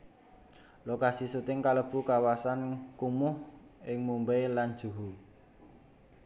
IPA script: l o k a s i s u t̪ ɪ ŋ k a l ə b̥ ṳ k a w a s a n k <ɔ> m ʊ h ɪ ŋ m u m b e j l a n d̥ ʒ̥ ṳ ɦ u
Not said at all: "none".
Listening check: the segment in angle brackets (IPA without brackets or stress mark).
u